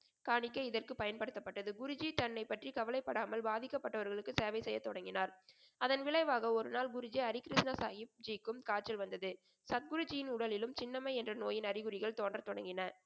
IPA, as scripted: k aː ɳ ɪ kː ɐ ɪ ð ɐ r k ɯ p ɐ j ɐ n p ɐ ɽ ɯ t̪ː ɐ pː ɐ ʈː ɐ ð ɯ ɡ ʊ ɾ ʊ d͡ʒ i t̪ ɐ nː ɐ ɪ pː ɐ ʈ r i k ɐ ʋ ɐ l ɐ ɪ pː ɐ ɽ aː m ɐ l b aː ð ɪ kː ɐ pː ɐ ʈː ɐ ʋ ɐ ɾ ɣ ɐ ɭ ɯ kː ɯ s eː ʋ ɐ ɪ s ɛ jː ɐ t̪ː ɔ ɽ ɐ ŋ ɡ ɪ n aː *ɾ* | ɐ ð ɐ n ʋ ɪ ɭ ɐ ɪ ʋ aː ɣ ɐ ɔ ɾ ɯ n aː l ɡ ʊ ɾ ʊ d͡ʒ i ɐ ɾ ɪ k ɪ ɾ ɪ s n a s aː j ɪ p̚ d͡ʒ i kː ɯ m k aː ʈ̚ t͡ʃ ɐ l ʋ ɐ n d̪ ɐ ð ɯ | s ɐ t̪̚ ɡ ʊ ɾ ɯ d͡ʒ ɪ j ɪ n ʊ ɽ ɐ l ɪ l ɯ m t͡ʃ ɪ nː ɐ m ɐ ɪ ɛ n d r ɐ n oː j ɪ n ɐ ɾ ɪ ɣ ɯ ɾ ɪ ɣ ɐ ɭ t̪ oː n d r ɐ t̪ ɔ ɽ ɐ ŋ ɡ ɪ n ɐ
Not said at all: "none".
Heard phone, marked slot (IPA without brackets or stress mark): ɾ